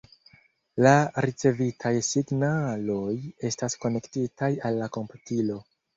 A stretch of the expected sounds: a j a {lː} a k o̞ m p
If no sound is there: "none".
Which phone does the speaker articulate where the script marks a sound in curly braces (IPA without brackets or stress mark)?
lː